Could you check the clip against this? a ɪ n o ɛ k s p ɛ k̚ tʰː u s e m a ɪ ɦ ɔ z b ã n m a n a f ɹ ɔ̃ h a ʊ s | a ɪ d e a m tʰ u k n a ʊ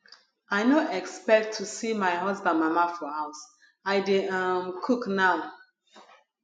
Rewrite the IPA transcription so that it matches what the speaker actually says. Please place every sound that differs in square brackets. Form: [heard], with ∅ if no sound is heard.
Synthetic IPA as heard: a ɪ n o ɛ k s p ɛ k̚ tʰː u s [i] m a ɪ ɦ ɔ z b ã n m a [m] a f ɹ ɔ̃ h a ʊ s | a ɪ d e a m [kʰ] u k n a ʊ